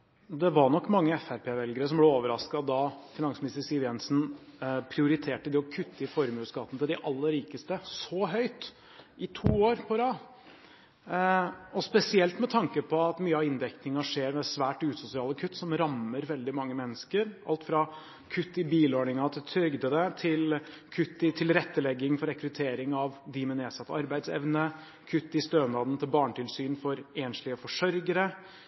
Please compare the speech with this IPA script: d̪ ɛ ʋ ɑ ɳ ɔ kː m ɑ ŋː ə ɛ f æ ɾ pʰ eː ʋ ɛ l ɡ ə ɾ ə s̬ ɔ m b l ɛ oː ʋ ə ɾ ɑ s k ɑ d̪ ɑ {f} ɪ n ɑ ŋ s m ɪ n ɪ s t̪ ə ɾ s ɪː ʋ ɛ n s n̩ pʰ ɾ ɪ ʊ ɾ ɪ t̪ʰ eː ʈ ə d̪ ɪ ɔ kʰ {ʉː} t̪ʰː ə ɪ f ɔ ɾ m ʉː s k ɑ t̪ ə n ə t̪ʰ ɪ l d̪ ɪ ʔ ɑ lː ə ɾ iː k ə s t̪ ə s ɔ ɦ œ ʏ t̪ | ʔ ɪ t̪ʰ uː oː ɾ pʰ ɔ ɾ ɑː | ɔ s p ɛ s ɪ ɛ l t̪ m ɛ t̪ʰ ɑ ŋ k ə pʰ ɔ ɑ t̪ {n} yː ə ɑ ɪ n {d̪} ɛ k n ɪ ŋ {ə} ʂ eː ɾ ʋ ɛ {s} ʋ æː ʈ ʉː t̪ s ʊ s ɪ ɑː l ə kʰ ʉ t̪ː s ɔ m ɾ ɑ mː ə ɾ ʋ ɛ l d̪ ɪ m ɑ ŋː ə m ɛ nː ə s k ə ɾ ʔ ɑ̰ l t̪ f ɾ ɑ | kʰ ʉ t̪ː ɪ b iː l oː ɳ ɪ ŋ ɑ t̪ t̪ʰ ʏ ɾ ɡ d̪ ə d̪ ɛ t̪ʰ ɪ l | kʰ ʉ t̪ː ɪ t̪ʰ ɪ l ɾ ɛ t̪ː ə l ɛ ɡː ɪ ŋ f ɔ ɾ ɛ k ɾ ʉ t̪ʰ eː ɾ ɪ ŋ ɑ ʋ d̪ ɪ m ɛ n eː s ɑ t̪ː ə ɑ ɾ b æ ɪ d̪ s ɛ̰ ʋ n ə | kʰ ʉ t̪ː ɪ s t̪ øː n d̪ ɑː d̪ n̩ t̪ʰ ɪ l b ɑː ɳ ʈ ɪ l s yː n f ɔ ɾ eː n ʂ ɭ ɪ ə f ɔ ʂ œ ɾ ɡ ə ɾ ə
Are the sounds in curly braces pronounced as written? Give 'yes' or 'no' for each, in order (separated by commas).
yes, no, no, yes, no, yes